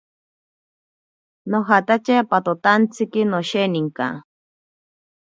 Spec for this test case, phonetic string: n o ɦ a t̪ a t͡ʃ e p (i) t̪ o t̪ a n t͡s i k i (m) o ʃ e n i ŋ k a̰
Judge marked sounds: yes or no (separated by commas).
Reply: no, no